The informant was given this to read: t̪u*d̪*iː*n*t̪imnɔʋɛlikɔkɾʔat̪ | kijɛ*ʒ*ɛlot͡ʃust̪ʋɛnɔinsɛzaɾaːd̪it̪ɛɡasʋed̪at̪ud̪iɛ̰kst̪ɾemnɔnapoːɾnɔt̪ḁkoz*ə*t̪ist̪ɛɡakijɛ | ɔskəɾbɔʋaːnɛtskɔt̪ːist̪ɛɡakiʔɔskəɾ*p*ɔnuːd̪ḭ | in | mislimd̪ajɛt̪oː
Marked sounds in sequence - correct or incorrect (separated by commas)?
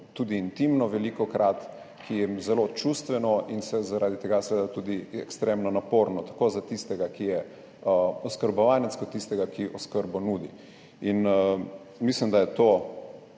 correct, correct, incorrect, incorrect, incorrect